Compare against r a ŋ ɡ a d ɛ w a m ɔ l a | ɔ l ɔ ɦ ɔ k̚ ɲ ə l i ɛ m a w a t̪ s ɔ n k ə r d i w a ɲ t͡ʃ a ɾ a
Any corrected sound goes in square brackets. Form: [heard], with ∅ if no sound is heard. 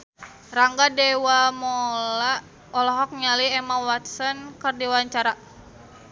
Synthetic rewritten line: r a ŋ ɡ a d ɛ w a m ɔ l a | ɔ l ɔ ɦ ɔ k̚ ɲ [a] l i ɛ m a w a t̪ s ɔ n k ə r d i w a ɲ t͡ʃ a ɾ a